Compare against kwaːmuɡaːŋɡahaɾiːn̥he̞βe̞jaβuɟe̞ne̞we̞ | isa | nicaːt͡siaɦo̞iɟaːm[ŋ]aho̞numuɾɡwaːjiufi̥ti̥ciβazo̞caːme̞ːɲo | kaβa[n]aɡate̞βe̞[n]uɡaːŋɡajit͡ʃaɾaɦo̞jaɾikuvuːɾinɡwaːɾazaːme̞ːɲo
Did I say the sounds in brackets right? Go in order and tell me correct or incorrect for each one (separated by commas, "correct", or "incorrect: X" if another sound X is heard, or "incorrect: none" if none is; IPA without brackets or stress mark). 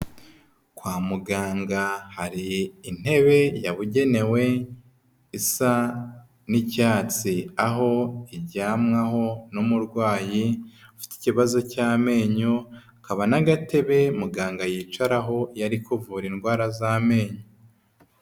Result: correct, correct, incorrect: m